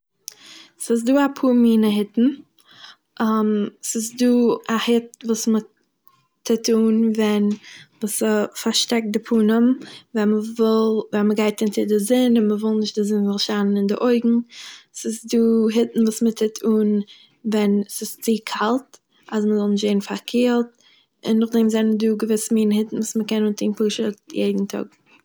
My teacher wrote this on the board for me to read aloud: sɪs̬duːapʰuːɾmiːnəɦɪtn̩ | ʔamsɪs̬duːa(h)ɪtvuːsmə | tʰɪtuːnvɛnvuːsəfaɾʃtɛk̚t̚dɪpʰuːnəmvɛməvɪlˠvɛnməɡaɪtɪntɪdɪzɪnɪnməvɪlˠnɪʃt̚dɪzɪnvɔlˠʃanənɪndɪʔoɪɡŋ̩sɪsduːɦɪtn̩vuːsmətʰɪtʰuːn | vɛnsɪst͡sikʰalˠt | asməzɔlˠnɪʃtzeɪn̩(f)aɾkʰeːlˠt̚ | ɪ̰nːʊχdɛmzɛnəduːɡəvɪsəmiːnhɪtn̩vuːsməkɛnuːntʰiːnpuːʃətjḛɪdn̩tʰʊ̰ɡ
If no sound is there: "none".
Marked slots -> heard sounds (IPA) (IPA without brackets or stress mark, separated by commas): h, f